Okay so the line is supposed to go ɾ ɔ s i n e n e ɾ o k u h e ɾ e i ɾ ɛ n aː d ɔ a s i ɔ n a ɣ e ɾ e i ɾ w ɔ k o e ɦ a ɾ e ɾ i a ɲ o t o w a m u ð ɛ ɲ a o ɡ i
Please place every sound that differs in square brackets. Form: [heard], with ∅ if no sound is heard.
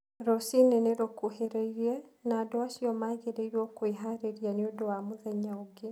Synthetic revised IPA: ɾ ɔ s i n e n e ɾ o k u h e ɾ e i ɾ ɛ n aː d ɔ a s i ɔ [m] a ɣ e ɾ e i ɾ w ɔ k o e ɦ a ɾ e ɾ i a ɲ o [d] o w a m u ð ɛ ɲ a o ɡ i